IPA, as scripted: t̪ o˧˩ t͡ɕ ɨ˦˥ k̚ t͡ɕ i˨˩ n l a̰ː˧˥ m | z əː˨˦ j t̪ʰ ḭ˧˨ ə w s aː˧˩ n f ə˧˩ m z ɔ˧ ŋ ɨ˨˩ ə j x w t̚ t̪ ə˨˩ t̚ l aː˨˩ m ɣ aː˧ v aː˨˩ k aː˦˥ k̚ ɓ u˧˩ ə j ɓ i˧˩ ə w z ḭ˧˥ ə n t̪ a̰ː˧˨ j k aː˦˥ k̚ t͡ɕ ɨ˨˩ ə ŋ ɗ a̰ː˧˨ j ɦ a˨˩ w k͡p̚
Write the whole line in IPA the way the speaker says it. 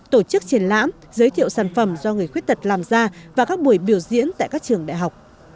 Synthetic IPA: t̪ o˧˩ t͡ɕ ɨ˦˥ k̚ t͡ɕ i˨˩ n l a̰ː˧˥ m | z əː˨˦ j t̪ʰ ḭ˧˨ ə w s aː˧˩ n f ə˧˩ m z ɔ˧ ŋ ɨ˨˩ ə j x w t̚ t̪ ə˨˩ t̚ l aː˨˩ m z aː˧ v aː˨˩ k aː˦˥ k̚ ɓ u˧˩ ə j ɓ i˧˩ ə w z ḭ˧˥ ə n t̪ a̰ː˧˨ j k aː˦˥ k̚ t͡ɕ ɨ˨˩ ə ŋ ɗ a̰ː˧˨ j ɦ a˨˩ w k͡p̚